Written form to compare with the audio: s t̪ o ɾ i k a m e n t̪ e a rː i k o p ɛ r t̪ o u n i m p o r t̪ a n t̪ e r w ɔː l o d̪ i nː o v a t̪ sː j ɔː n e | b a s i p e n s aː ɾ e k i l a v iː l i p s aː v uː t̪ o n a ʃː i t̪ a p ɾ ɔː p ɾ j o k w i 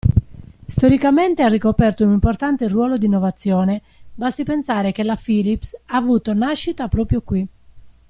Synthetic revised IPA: s t̪ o ɾ i k a m e n t̪ e a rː i k o p ɛ r t̪ o u n i m p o r t̪ a n t̪ e r w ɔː l o d̪ i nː o v a t̪ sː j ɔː n e | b a s i p e n s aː ɾ e k e l a f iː l i p s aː v uː t̪ o n a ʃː i t̪ a p ɾ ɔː p ɾ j o k w i